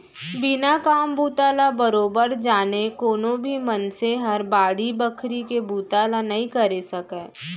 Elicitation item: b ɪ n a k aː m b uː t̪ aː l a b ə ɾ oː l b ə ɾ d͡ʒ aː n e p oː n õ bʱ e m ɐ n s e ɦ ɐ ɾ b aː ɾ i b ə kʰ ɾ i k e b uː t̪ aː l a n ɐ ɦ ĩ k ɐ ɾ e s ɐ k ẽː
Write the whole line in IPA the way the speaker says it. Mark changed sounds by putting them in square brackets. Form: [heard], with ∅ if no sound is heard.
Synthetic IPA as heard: b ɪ n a k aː m b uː t̪ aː l a b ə ɾ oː [∅] b ə ɾ d͡ʒ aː n e [k] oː n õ bʱ [i] m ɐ n s e ɦ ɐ ɾ b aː [ɽ] i b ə kʰ ɾ i k e b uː t̪ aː l a n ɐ ɦ ĩ k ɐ ɾ e s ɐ k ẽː